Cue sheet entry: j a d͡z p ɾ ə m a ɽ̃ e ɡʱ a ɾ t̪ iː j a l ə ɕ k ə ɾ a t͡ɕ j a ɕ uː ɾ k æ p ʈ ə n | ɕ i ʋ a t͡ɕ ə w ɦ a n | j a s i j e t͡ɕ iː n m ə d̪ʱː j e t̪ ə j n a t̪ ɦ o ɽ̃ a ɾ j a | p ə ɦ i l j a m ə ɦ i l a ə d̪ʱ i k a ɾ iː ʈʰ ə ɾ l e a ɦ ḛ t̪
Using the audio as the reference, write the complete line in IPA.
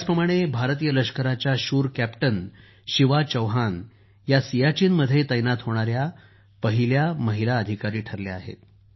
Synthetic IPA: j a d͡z p ɾ ə m a ɽ̃ e bʱ a ɾ t̪ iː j ə l ə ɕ k ə ɾ a t͡ɕ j a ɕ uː ɾ k æ p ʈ ə n | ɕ i ʋ a t͡ɕ ə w ɦ a n | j a s i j a t͡ɕ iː n m ə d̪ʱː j e t̪ ə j n a t̪ ɦ o ɽ̃ a ɾ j a | p ə ɦ i l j a m ə ɦ i l a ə d̪ʱ i k a ɾ iː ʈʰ ə ɾ l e a ɦ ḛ t̪